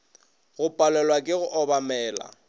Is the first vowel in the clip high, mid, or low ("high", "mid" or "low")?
high